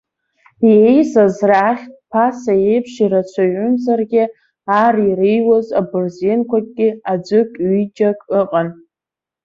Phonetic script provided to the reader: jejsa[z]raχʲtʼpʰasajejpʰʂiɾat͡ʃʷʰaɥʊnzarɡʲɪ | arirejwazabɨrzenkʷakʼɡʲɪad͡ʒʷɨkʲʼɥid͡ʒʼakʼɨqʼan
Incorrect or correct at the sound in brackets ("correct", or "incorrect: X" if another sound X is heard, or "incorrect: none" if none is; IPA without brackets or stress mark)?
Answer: correct